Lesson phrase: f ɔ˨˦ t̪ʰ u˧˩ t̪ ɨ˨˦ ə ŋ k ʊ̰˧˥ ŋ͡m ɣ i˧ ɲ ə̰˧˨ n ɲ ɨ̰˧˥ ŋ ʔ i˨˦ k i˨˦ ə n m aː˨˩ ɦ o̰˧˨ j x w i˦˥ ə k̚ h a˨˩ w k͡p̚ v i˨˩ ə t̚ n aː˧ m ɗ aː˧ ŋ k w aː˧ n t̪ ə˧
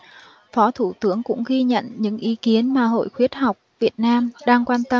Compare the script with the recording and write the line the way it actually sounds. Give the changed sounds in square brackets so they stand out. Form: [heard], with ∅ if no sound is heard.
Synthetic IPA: f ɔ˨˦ t̪ʰ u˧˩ t̪ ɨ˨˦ ə ŋ k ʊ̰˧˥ ŋ͡m ɣ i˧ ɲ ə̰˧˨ n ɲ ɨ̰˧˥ ŋ ʔ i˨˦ k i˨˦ ə n m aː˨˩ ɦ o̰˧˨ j x w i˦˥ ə [t̚] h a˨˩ w k͡p̚ v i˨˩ ə t̚ n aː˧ m ɗ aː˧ ŋ k w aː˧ n t̪ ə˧